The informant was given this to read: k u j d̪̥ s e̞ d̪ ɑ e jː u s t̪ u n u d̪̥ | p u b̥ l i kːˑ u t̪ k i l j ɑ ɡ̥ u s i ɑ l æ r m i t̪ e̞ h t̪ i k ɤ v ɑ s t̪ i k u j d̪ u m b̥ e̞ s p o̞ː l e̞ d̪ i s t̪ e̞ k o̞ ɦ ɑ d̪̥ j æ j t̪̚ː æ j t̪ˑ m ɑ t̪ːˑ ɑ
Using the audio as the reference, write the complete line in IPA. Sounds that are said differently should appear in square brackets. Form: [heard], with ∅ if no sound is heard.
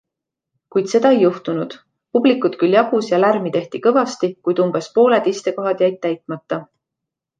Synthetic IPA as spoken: k u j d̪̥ s e̞ d̪ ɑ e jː u [h] t̪ u n u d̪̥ | p u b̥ l i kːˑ u t̪ k [y] l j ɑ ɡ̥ u s [j] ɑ l æ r m i t̪ e̞ h t̪ i k ɤ v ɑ s t̪ i k u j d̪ u m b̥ e̞ s p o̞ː l e̞ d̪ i s t̪ e̞ k o̞ ɦ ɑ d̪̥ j æ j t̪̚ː æ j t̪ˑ m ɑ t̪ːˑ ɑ

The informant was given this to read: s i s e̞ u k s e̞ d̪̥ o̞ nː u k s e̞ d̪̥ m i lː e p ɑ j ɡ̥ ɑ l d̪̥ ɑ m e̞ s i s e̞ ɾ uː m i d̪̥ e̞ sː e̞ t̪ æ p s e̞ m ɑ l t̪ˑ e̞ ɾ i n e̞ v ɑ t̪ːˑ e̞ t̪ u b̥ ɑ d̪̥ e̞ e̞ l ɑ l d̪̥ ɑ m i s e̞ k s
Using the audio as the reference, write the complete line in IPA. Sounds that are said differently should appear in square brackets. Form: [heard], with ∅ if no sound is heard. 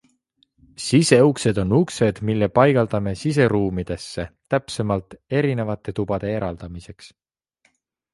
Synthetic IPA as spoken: s i s e̞ u k s e̞ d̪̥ o̞ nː u k s e̞ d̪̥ m i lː e p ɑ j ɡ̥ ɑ l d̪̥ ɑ m e̞ s i s e̞ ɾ uː m i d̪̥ e̞ sː e̞ t̪ æ p s e̞ m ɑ l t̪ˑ e̞ ɾ i n e̞ v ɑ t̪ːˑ e̞ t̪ u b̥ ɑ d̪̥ e̞ e̞ [ɾ] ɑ l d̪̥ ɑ m i s e̞ k s

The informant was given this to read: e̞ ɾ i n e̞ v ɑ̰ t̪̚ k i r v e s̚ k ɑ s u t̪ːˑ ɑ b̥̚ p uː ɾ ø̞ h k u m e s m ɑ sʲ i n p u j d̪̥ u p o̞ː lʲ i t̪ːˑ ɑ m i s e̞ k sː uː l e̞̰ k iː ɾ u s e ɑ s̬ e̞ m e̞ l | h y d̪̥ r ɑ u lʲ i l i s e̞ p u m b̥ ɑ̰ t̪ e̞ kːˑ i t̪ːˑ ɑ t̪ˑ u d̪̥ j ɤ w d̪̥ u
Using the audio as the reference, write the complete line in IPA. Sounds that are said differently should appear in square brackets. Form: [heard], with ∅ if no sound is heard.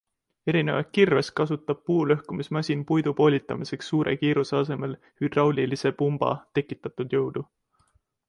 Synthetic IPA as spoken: e̞ ɾ i n e̞ v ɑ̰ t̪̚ k i r v e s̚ k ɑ s u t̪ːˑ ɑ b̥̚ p uː [l] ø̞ h k u m [i] s m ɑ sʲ i n p u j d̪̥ u p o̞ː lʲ i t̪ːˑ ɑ m i s e̞ k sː uː [ɾ] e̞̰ k iː ɾ u s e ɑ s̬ e̞ m e̞ l | h y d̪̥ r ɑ [w] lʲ i l i s e̞ p u m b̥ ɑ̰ t̪ e̞ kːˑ i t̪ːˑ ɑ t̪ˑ u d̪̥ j ɤ w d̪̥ u

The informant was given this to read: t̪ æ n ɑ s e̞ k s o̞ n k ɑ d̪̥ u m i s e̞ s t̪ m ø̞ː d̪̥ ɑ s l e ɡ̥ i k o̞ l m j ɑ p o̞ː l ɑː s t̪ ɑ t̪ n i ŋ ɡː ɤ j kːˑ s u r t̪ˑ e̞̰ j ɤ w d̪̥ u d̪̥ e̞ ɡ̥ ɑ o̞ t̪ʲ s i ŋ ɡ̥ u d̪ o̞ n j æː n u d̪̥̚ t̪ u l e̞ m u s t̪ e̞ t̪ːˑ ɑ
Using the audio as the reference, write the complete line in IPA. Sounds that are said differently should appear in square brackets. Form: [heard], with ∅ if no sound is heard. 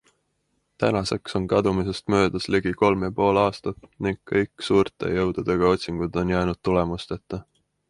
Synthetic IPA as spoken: t̪ æ n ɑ s e̞ k s o̞ n k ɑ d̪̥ u m i s e̞ s t̪ m ø̞ː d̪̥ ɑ s l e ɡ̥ i k o̞ l m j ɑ p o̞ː l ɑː s t̪ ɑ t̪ n i ŋ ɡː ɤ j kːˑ s [uː] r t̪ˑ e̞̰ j ɤ w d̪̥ u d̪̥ e̞ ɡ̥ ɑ o̞ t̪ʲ s i ŋ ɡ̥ u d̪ o̞ n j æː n u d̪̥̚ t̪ u l e̞ m u s t̪ e̞ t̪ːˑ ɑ

